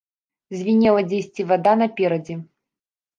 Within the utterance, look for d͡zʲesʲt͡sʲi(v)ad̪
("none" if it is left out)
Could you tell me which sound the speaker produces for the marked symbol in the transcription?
v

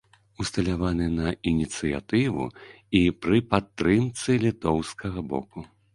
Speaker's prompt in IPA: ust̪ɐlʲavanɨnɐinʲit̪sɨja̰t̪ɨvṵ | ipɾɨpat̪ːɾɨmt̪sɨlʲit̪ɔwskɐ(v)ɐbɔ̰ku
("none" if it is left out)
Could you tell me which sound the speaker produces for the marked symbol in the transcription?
ɣ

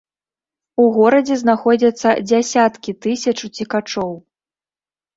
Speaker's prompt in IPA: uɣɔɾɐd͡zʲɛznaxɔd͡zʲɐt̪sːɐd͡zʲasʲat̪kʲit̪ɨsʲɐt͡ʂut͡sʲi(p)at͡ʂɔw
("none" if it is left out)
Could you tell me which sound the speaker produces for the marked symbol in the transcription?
k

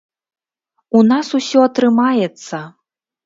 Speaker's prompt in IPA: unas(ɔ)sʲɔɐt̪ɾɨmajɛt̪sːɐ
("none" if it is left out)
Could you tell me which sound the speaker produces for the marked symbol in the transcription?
u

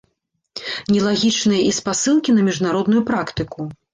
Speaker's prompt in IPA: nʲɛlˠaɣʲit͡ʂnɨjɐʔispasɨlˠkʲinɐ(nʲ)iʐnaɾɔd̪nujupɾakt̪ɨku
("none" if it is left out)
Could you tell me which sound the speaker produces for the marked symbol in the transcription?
mʲ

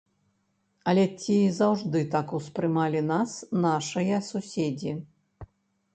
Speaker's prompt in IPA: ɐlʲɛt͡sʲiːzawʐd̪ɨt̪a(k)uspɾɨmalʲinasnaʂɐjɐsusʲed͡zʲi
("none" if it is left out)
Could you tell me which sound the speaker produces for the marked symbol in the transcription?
k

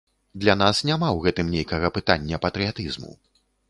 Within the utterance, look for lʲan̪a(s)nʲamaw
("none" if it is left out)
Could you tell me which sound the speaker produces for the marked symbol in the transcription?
s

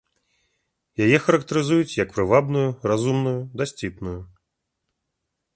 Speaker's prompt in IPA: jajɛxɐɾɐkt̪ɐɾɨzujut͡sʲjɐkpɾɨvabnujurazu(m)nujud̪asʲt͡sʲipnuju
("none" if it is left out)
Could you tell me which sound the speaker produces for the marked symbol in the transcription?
m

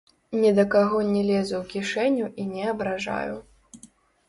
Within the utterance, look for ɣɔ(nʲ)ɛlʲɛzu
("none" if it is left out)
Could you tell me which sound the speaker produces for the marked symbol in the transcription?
nʲ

